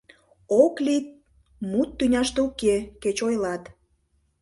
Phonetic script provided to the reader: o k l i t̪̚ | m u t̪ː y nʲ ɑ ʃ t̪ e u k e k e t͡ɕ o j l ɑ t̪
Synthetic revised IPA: o k l i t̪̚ | m u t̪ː y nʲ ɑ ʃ t̪ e u k e k e t͡ɕ o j l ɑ t̪